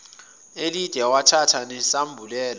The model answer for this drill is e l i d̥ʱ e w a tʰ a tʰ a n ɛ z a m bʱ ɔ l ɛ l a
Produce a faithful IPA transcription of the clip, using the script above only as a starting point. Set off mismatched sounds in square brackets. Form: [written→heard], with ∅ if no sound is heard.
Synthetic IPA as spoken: e l i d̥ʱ [e→ɛ] w a tʰ a tʰ a n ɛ [z→s] a m bʱ [ɔ→u] l [ɛ→ɛː] l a